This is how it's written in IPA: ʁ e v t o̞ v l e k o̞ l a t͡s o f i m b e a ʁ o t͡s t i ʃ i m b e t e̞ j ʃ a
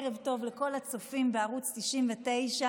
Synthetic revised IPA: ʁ e v t o̞ v l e k o̞ l a t͡s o f i m b e a ʁ u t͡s t i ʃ i m v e t e̞ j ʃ a